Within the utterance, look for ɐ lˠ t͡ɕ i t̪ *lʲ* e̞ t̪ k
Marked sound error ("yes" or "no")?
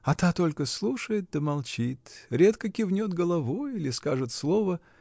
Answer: yes